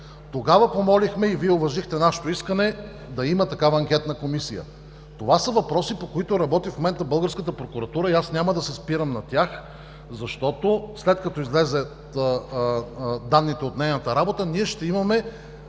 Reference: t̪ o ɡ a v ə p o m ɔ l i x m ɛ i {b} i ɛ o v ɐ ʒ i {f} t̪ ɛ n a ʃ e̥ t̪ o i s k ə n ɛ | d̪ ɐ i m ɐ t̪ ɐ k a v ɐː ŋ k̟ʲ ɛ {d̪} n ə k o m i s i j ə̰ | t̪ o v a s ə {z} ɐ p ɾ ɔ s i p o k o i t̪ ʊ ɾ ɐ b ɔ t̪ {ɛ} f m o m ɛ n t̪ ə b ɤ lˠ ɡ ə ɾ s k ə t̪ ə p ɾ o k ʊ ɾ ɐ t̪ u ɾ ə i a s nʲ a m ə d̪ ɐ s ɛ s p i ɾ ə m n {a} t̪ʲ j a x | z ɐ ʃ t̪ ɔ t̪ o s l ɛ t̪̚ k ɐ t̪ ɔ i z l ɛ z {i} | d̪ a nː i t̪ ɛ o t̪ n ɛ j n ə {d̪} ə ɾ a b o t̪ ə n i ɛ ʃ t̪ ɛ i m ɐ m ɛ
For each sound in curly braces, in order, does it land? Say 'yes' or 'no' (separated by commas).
no, no, no, no, no, no, no, no